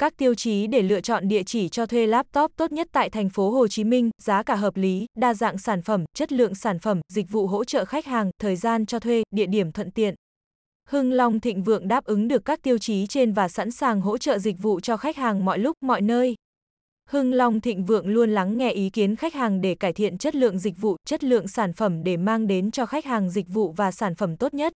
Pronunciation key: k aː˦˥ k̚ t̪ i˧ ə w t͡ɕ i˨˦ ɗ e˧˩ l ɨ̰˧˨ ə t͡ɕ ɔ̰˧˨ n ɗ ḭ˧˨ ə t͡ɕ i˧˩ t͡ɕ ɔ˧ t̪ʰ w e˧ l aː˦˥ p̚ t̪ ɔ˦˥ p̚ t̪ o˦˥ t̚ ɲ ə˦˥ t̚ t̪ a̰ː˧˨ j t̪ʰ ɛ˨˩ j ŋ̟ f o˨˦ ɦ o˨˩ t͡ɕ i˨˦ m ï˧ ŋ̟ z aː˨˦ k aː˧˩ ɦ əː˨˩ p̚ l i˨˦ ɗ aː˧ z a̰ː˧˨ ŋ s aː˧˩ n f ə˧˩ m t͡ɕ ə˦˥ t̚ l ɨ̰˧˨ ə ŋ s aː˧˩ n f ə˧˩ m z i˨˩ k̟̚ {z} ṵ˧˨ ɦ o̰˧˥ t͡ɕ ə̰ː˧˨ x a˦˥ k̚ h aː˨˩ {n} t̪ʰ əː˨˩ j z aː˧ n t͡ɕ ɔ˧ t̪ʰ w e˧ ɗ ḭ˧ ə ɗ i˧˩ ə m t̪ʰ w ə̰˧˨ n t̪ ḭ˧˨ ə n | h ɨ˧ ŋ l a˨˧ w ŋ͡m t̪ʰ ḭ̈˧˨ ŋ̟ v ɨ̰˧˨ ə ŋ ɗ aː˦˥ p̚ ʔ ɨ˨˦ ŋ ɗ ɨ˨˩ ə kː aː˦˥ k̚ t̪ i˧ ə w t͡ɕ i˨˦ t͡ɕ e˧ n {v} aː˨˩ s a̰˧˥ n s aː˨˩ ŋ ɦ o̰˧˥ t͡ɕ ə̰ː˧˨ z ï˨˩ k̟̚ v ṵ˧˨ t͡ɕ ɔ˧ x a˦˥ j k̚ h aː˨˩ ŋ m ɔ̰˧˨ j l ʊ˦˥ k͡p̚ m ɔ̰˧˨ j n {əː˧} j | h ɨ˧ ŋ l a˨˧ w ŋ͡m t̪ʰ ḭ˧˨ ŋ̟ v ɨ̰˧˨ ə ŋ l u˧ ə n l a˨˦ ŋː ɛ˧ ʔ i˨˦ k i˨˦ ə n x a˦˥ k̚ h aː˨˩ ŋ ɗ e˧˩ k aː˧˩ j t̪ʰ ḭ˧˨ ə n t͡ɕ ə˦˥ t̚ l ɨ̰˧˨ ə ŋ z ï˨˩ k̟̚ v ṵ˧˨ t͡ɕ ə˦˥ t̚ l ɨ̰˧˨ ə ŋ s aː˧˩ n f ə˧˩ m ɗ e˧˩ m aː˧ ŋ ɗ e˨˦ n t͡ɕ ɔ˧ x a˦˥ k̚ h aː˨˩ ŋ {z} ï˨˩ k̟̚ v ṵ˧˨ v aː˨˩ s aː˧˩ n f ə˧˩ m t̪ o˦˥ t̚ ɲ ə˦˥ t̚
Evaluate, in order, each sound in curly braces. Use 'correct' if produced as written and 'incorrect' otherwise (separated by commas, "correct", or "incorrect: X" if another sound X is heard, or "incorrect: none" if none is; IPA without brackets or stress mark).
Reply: incorrect: v, incorrect: ŋ, correct, correct, correct